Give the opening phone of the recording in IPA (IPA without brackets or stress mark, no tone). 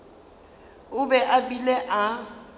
ʊ